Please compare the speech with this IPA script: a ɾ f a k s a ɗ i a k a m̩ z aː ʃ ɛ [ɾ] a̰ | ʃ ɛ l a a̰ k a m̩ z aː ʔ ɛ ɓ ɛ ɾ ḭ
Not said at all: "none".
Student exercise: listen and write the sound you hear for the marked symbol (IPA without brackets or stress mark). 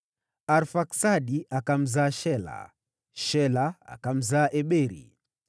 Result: l